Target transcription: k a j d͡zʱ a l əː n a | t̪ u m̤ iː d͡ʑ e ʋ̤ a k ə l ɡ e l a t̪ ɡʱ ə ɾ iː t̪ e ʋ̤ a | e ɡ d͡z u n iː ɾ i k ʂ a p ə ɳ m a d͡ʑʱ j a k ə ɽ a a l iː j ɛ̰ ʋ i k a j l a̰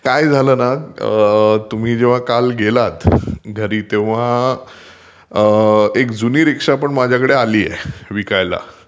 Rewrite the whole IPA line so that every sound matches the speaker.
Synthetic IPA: k a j d͡zʱ a l əː n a | t̪ u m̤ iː d͡ʑ e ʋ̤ a k a l ɡ e l a t̪ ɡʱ ə ɾ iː t̪ e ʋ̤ a | e k d͡z u n iː ɾ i k ʂ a p ə ɳ m a d͡ʑʱ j a k ə ɽ e a l iː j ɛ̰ ʋ i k a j l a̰

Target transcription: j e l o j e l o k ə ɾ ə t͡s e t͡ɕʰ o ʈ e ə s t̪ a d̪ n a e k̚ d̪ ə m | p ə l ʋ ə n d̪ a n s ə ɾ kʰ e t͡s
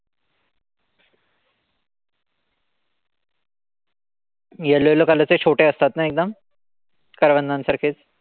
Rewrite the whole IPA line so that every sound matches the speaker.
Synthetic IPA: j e l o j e l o k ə l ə t͡s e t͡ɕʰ o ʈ e ə s t̪ a t̪ n a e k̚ d̪ ə m | k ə ɾ ʋ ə n d̪ a n s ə ɾ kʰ e t͡s

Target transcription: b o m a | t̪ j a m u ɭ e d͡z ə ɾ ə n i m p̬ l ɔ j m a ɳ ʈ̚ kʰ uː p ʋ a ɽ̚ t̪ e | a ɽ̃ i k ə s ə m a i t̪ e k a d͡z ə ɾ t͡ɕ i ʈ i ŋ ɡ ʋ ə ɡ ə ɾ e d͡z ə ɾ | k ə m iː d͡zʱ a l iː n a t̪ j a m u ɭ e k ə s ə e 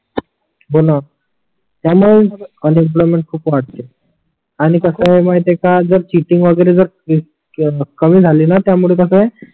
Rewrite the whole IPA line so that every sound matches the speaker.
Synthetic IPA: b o n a | t̪ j a m u ɭ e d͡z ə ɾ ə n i m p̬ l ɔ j m e ɳ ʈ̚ kʰ uː p ʋ a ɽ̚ t̪ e | a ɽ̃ i k ə s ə m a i t̪ e k a d͡z ə ɾ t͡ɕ i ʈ i ŋ ɡ ʋ ə ɡ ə ɾ e d͡z ə ɾ | k ə m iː d͡zʱ a l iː n a t̪ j a m u ɭ e k ə s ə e

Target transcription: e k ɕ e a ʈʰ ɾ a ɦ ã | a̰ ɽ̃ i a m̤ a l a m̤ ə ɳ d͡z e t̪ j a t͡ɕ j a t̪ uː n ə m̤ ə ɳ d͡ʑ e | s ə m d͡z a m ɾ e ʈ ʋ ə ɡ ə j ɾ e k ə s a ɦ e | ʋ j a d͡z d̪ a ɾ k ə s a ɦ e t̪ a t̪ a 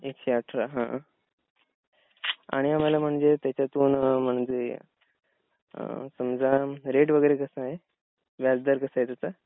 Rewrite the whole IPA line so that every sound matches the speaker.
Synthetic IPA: e k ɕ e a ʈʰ ɾ a ɦ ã | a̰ ɽ̃ i a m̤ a l a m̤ ə ɳ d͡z e t̪ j a t͡ɕ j a t̪ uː n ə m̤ ə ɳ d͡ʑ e | s ə m d͡z a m ɾ e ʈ ʋ ə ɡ ə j ɾ e k ə s a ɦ e | ʋ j a d͡z d̪ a ɾ k ə s a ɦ e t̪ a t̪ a

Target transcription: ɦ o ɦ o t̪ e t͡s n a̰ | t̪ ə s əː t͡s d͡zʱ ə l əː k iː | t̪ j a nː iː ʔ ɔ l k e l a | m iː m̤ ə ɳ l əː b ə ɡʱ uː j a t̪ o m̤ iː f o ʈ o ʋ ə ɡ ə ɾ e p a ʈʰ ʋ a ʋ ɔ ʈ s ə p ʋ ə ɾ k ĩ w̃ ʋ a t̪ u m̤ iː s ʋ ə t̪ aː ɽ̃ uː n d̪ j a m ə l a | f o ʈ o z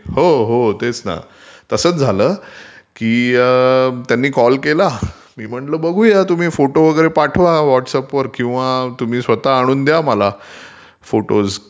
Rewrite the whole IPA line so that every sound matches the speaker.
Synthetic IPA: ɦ o ɦ o t̪ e t͡s n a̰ | t̪ ə s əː t͡s d͡zʱ a l əː k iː | t̪ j a nː iː k ɔ l k e l a | m iː m̤ ə ɳ l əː b ə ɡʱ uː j a t̪ u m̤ iː f o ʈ o ʋ ə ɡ ə ɾ e p a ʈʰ ʋ a ʋ ɔ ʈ s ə p ʋ ə ɾ k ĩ w̃ ʋ a t̪ u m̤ iː s ʋ ə t̪ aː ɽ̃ uː n d̪ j a m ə l a | f o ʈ o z

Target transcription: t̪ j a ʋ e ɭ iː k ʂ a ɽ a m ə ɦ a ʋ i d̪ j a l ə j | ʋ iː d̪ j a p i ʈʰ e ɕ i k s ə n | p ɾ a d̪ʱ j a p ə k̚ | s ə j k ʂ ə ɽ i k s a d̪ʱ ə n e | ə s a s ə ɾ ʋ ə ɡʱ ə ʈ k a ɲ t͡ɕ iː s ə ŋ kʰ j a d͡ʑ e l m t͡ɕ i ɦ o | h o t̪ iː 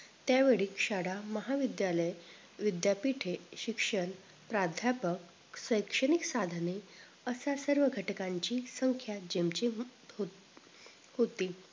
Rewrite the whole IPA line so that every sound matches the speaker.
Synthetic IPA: t̪ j a ʋ e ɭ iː k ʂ a ɽ a m ə ɦ a ʋ i d̪ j a l ə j | ʋ i d̪ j a p i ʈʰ e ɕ i k ʂ ə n | p ɾ a d̪ʱ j a p ə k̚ | s ə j k ʂ ə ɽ i k s a d̪ʱ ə n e | ə s a s ə ɾ ʋ ə ɡʱ ə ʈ k a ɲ t͡ɕ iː s ə ŋ kʰ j a d͡ʑ e m t͡ɕ i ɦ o | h o t̪ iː

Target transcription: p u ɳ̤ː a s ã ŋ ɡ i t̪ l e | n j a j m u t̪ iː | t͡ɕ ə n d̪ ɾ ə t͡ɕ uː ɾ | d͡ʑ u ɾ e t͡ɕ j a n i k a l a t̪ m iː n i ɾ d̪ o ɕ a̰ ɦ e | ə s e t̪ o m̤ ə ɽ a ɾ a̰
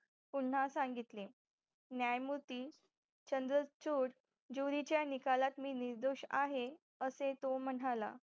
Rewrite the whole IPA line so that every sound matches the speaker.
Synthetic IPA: p u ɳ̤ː a s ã ŋ ɡ i t̪ l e | n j a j m u t̪ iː | t͡ɕ ə n d̪ ɾ ə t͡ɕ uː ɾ | d͡ʑ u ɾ i t͡ɕ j a n i k a l a t̪ m iː n i ɾ d̪ o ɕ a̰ ɦ e | ə s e t̪ o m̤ ə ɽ a l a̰

